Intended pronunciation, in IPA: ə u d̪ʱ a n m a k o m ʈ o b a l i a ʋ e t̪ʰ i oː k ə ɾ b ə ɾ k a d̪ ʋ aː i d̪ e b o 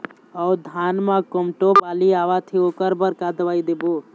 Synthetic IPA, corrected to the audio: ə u d̪ʱ a n m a k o m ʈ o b a l i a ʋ a t̪ʰ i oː k ə ɾ b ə ɾ k a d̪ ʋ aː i d̪ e b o